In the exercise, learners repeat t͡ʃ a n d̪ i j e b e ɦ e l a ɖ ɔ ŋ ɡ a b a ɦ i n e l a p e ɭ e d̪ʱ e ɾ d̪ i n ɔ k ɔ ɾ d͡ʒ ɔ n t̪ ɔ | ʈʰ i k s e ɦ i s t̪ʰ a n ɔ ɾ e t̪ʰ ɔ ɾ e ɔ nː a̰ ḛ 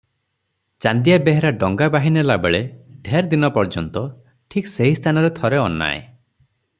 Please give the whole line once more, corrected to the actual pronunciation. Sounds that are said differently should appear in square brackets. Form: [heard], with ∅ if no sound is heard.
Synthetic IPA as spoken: t͡ʃ a n d̪ i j [a] b e ɦ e [ɾ] a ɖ ɔ ŋ ɡ a b a ɦ i n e l a [b] e ɭ e d̪ʱ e ɾ d̪ i n ɔ [p] ɔ ɾ d͡ʒ ɔ n t̪ ɔ | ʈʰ i k s e ɦ i s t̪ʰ a n ɔ ɾ e t̪ʰ ɔ ɾ e ɔ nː a̰ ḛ